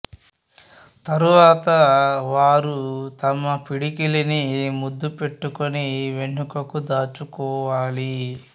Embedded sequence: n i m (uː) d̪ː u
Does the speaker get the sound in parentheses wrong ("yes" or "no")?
yes